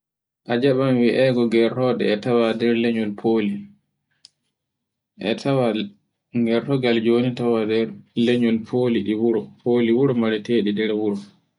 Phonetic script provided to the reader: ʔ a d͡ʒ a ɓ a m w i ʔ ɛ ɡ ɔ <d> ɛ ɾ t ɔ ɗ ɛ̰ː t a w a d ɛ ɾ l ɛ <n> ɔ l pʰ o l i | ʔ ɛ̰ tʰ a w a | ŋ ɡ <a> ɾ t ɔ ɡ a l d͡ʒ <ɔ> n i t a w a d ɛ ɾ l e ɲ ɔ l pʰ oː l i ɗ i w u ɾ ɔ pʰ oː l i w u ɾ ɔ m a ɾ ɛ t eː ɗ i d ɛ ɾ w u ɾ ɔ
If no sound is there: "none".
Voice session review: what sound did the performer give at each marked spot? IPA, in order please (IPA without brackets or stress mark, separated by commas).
ɡ, ɲ, ɛ, o